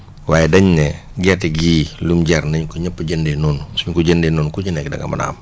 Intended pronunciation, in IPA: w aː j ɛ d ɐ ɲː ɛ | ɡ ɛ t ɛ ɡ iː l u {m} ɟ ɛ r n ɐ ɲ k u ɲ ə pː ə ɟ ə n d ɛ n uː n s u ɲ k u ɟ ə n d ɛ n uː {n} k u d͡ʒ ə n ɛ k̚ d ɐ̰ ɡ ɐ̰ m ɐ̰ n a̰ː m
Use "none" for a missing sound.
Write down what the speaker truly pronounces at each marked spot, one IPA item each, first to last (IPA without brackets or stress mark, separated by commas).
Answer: m, n